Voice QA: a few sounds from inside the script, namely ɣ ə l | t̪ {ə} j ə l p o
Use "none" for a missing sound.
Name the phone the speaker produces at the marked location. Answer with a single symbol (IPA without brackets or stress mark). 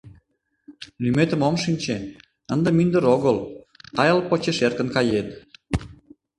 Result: ɑ